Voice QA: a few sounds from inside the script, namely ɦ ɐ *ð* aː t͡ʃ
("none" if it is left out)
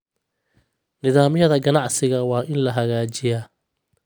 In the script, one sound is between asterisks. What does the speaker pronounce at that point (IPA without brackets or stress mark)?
ɣ